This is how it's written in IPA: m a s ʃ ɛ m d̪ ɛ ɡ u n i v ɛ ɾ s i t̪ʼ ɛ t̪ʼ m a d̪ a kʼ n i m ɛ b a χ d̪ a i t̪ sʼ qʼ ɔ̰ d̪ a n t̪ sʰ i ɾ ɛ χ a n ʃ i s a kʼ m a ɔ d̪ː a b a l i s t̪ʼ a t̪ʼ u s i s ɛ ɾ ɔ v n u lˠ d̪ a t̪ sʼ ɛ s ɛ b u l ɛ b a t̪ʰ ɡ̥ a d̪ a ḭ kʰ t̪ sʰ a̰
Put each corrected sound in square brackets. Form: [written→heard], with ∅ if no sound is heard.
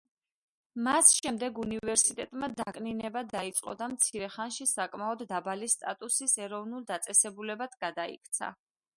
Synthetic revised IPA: m a s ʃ ɛ m d̪ ɛ ɡ u n i v ɛ ɾ s i t̪ʼ ɛ t̪ʼ m a d̪ a kʼ n i [m→n] ɛ b a [χ→∅] d̪ a i t̪ sʼ qʼ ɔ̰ d̪ a [n→m] t̪ sʰ i ɾ ɛ χ a n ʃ i s a kʼ m a ɔ d̪ː a b a l i s t̪ʼ a t̪ʼ u s i s ɛ ɾ ɔ v n u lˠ d̪ a t̪ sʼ ɛ s ɛ b u l ɛ b a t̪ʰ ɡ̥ a d̪ a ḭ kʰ t̪ sʰ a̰